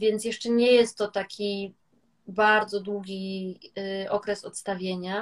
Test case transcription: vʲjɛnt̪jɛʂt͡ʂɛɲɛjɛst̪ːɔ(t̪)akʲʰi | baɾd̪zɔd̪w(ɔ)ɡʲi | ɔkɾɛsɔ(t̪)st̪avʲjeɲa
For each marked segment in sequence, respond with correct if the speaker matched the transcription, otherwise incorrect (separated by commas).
correct, incorrect, correct